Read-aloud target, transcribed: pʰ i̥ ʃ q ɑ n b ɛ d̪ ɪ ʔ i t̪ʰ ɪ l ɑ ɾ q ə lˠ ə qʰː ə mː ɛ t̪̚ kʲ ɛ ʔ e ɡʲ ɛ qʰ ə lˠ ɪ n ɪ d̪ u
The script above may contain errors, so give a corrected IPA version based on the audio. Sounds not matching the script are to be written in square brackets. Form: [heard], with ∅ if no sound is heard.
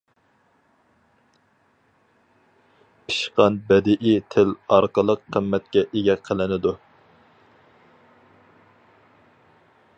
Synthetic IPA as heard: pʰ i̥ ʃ q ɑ n b ɛ d̪ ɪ ʔ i t̪ʰ ɪ l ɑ ɾ q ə lˠ ə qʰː ə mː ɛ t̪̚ kʲ ɛ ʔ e ɡʲ ɛ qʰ ə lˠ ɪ n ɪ d̪ u

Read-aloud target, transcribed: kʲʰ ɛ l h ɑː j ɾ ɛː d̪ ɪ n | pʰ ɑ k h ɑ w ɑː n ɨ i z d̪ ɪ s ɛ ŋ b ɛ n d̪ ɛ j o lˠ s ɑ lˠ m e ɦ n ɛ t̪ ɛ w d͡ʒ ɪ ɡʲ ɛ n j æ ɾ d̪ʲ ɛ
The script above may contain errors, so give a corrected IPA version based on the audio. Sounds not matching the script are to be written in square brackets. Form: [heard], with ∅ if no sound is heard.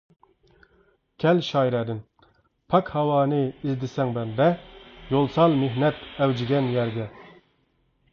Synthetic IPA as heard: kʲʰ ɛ l [ʃ] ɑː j ɾ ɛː d̪ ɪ n | pʰ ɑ k h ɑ w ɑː n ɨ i z d̪ ɪ s ɛ ŋ b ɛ n d̪ ɛ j o lˠ s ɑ lˠ m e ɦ n ɛ t̪ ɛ w d͡ʒ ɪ ɡʲ ɛ n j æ ɾ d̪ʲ ɛ

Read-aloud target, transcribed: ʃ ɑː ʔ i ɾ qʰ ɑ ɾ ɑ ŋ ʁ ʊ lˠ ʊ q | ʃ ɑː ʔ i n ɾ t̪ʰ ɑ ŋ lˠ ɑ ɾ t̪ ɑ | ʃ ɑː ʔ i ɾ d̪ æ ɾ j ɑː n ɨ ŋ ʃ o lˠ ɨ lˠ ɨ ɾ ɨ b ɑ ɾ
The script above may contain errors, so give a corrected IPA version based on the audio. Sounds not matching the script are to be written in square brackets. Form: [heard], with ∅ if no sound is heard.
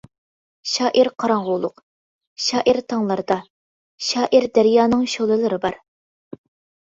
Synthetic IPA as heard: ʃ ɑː ʔ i ɾ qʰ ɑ ɾ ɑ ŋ ʁ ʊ lˠ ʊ q | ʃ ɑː ʔ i [∅] ɾ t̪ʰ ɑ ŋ lˠ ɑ ɾ [d̪] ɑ | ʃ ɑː ʔ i ɾ d̪ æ ɾ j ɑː n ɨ ŋ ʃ o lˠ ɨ lˠ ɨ ɾ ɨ b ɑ ɾ

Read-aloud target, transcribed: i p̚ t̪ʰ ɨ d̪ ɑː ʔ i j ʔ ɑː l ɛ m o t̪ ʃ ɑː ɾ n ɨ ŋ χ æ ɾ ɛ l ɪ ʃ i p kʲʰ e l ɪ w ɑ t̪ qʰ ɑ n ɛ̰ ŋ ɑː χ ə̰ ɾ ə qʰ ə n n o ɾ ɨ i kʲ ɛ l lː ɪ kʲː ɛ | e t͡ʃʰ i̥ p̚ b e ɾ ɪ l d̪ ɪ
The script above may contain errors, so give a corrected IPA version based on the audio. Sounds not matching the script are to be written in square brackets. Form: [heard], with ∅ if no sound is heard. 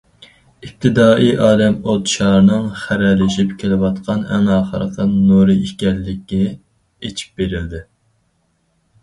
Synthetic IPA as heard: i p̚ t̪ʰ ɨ d̪ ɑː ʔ i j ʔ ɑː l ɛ m o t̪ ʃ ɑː ɾ n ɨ ŋ χ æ ɾ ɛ l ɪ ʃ i p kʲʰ e l ɪ w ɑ t̪ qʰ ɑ n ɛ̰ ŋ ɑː χ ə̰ ɾ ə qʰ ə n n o ɾ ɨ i kʲ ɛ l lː ɪ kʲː ɛ | e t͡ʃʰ i̥ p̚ b e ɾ ɪ l d̪ ɪ

